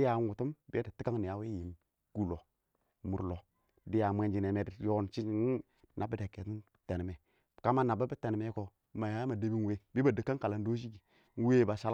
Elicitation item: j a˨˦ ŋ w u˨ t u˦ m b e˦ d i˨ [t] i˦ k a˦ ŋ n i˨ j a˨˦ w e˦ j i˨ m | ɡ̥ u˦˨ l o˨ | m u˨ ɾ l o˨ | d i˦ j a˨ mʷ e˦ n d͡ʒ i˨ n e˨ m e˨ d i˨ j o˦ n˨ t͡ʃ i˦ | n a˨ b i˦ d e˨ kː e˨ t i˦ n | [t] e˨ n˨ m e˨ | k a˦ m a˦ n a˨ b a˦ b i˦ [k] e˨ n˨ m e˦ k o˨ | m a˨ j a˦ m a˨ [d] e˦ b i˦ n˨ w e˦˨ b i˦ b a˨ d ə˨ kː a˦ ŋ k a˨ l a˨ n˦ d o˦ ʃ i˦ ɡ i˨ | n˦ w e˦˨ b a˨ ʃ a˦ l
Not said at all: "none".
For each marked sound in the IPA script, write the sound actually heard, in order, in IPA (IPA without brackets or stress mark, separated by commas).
t, t, t, d